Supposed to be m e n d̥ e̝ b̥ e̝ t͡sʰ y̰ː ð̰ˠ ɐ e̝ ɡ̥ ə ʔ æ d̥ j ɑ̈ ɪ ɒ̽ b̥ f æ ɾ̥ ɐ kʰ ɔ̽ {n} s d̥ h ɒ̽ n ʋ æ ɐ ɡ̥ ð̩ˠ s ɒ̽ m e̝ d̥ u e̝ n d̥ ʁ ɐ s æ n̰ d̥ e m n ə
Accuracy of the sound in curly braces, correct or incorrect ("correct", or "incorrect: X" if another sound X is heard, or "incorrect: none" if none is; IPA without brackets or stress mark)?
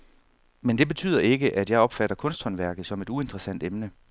correct